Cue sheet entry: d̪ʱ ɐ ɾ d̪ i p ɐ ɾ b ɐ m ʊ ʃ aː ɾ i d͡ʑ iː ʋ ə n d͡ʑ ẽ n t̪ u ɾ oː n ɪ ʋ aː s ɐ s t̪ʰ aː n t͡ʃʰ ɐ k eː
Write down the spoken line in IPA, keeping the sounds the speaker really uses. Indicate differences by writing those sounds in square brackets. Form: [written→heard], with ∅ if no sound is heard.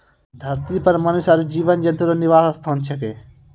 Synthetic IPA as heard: d̪ʱ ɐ ɾ [d̪→t̪] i p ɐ ɾ [b→m] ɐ [m→n] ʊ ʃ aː ɾ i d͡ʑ iː ʋ ə n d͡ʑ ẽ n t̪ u ɾ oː n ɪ ʋ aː s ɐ s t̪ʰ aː n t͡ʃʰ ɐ k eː